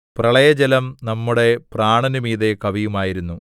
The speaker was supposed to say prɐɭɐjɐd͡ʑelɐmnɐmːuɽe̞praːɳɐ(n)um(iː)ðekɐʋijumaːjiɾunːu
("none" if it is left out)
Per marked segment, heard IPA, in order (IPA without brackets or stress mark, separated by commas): n, iː